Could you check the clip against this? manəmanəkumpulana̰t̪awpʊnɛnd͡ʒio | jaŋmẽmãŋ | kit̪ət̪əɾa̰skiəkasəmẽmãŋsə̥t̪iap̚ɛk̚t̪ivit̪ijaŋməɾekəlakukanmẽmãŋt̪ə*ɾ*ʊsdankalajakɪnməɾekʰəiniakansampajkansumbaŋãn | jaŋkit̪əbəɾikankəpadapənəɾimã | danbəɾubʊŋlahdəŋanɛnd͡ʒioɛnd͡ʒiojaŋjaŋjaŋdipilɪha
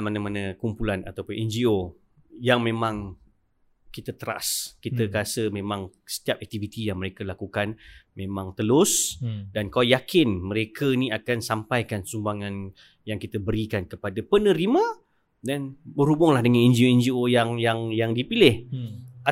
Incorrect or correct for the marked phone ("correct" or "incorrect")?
incorrect